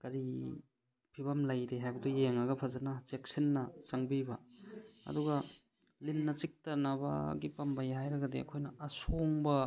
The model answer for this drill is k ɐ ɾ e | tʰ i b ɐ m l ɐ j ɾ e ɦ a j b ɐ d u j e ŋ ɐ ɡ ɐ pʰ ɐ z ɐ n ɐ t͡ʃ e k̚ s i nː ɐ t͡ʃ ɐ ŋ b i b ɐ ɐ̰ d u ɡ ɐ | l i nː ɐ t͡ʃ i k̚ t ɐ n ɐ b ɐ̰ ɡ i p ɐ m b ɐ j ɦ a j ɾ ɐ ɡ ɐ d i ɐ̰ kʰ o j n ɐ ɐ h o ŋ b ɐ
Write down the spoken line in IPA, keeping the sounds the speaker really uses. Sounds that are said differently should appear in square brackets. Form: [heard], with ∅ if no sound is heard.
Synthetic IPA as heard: k ɐ ɾ [i] | [pʰ] i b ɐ m l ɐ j ɾ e ɦ a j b ɐ d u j e ŋ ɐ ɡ ɐ pʰ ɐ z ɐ n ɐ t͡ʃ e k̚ s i nː ɐ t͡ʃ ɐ ŋ b i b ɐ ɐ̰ d u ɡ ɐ | l i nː ɐ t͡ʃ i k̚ t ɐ n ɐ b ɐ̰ ɡ i p ɐ m b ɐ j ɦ a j ɾ ɐ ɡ ɐ d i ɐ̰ kʰ o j n ɐ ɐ [s] o ŋ b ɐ